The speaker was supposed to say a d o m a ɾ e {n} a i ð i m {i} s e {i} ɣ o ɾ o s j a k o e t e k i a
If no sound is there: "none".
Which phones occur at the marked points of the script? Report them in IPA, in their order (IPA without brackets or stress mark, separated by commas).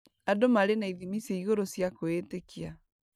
n, i, i